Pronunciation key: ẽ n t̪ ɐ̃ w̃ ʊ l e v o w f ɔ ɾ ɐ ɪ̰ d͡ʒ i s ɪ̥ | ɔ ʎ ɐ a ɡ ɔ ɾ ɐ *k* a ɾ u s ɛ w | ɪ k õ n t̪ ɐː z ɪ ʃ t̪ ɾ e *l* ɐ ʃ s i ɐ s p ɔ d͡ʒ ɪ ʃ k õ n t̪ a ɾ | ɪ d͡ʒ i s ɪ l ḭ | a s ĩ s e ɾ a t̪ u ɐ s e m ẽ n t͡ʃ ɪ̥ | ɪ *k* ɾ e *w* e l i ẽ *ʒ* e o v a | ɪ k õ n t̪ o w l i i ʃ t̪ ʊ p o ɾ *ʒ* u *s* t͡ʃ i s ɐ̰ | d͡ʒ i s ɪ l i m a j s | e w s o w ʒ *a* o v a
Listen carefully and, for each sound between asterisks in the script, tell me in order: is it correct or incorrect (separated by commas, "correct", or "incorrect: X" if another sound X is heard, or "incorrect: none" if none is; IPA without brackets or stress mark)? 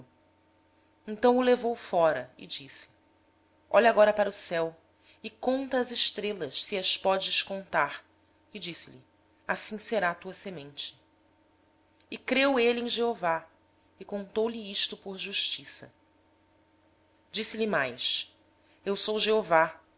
incorrect: p, correct, correct, correct, correct, correct, incorrect: ʃ, incorrect: e